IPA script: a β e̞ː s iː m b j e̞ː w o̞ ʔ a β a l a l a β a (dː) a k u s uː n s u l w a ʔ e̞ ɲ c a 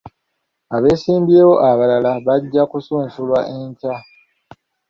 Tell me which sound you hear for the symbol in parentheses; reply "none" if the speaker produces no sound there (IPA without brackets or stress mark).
ɟː